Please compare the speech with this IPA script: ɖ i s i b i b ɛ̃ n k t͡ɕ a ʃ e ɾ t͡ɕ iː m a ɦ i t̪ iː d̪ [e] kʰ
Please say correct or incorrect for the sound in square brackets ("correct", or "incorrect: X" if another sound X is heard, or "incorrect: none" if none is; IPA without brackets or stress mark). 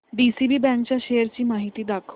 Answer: incorrect: a